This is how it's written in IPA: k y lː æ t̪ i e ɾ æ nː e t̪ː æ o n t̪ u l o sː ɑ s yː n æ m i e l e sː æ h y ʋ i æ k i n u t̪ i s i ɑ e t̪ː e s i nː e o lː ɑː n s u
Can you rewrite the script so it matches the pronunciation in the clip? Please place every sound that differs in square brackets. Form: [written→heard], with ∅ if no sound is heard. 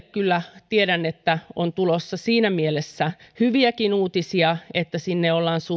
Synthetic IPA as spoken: k y lː æ t̪ i e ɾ æ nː e t̪ː æ o n t̪ u l o sː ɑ s [yː→iː] n æ m i e l e sː æ h y ʋ i æ k i n [u→uː] t̪ i s i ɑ e t̪ː [e→æ] s i nː e o lː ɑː n s u